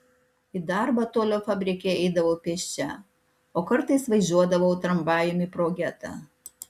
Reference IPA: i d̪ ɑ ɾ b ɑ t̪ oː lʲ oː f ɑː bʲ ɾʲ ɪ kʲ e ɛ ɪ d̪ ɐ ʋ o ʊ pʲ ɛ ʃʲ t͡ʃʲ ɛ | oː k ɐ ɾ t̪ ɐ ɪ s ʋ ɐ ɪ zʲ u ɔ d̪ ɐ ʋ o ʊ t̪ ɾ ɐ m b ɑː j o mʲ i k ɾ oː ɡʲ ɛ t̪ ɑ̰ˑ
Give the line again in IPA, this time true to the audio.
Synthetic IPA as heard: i d̪ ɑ ɾ b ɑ t̪ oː lʲ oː f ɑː bʲ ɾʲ ɪ kʲ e ɛ ɪ d̪ ɐ ʋ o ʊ pʲ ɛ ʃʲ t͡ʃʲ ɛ | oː k ɐ ɾ t̪ ɐ ɪ s ʋ ɐ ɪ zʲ u ɔ d̪ ɐ ʋ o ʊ t̪ ɾ ɐ m b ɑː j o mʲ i p ɾ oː ɡʲ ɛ t̪ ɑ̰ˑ